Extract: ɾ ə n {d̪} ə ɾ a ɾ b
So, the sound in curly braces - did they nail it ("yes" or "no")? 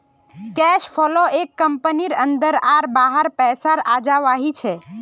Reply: yes